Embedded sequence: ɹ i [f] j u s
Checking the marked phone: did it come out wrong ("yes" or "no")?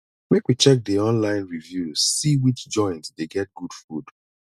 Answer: yes